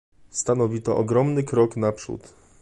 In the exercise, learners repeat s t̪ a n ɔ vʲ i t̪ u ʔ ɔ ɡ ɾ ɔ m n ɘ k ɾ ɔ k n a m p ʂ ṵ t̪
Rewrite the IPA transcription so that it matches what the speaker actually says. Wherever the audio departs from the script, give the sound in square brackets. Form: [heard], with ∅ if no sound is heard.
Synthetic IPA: s t̪ a n ɔ vʲ i t̪ [ɔ] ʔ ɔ ɡ ɾ ɔ m n ɘ k ɾ ɔ k n a [∅] p ʂ ṵ t̪